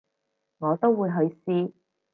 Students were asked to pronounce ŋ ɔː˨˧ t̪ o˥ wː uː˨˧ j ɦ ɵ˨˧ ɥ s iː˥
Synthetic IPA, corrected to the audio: ŋ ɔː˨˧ t̪ o˥ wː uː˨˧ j ɦ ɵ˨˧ ɥ s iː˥